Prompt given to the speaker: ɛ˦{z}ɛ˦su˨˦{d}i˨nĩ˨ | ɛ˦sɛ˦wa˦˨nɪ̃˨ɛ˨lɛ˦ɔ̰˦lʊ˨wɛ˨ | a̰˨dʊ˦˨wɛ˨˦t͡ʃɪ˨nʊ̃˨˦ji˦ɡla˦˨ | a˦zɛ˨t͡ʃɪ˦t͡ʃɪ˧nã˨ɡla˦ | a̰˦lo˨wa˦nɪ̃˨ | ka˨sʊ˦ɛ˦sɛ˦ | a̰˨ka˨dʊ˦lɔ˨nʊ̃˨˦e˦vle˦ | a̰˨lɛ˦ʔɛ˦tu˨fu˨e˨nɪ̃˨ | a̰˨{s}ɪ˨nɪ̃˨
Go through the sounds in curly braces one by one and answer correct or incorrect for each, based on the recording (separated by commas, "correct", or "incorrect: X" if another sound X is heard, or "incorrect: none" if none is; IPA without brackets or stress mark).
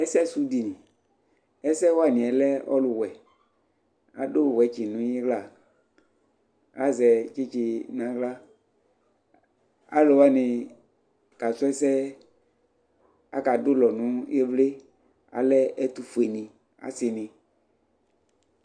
incorrect: s, correct, correct